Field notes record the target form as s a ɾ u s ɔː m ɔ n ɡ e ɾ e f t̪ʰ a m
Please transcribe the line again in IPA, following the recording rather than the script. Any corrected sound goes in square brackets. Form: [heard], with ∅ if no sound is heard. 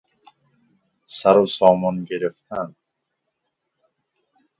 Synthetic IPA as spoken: s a ɾ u s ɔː m ɔ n ɡ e ɾ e f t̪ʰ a [n]